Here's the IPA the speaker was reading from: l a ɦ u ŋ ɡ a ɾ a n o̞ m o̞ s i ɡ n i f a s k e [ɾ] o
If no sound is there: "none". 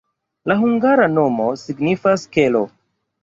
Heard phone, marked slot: l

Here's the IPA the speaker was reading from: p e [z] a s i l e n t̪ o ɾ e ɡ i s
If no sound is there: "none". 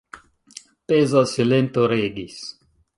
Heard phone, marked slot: z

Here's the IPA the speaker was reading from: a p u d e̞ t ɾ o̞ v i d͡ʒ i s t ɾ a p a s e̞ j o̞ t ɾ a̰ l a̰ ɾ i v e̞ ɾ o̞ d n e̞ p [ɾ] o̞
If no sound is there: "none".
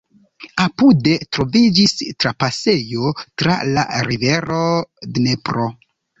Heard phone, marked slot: ɾ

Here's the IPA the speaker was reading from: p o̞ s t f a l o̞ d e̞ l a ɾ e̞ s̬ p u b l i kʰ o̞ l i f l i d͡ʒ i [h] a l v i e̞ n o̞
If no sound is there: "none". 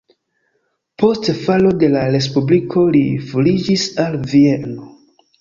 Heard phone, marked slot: s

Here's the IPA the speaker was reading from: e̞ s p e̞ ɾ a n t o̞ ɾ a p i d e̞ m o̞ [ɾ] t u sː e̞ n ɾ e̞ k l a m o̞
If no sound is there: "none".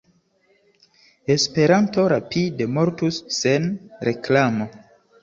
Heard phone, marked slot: ɾ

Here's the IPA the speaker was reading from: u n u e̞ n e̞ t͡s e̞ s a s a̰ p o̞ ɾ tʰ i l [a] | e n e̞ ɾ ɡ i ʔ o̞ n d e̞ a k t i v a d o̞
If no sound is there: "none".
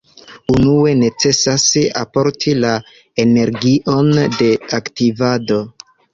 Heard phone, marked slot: a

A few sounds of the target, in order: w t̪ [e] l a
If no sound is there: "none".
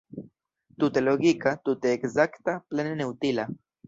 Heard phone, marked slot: i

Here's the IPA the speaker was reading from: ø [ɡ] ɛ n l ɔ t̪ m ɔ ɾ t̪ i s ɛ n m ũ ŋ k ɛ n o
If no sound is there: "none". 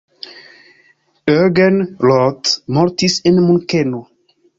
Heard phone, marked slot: ɡ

